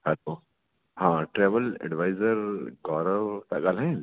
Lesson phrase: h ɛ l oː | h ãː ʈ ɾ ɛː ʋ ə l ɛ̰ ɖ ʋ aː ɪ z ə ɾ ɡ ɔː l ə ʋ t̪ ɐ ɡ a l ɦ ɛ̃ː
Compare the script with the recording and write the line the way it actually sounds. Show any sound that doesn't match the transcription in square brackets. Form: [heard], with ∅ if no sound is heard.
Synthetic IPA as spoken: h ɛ l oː | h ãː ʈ ɾ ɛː ʋ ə l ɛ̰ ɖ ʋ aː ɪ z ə ɾ ɡ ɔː [ɾ] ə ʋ t̪ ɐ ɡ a l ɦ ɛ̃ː